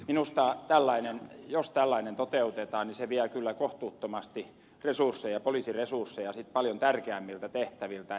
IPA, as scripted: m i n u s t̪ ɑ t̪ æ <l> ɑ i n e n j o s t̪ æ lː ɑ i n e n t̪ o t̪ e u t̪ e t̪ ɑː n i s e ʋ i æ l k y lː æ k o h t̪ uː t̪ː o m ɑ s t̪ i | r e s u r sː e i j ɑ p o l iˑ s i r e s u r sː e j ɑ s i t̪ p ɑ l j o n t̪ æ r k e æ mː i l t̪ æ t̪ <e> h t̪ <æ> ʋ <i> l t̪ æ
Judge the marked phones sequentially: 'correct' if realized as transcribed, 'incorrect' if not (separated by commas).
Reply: incorrect, correct, correct, correct